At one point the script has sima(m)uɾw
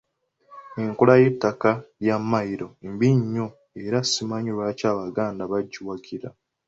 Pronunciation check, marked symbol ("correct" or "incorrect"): incorrect